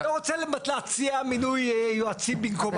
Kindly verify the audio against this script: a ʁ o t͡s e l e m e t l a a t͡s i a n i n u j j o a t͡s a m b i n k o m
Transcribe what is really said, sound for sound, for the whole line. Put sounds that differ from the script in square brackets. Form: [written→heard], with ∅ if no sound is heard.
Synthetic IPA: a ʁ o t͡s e l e m [e→a] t l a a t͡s i a [n→m] i n u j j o a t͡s [a→i] m b i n k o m